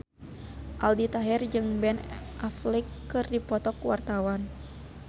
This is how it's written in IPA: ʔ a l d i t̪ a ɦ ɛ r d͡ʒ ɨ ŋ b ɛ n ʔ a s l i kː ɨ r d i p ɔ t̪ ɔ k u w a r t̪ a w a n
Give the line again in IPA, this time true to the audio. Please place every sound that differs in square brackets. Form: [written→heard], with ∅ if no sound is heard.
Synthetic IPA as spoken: ʔ a l d i t̪ a ɦ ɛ r d͡ʒ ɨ ŋ b ɛ n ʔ a [s→f] l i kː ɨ r d i p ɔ t̪ ɔ k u w a r t̪ a w a n